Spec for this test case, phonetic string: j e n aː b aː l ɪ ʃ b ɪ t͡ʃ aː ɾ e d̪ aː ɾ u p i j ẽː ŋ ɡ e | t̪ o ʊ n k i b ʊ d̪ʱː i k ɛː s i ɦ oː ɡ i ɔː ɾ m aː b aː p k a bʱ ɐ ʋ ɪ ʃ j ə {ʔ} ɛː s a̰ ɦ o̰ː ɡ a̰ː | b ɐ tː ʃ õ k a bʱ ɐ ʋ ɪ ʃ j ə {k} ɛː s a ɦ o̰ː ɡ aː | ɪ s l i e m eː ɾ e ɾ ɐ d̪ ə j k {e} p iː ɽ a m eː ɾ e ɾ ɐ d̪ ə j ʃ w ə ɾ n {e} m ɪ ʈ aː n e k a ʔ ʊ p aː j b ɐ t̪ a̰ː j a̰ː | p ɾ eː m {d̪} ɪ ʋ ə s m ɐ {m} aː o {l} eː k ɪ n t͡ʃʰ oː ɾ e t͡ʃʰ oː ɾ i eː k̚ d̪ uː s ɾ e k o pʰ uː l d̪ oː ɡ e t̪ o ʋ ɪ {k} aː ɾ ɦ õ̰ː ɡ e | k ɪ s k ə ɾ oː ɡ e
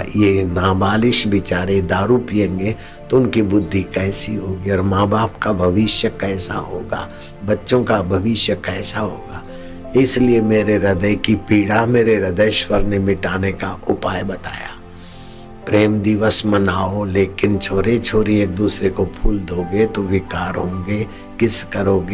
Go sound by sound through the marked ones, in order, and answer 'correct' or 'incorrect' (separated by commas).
incorrect, correct, incorrect, correct, correct, incorrect, correct, correct